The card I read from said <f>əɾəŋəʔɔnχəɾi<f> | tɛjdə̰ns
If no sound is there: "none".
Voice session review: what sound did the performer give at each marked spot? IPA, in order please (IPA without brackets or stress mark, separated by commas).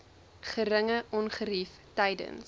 χ, f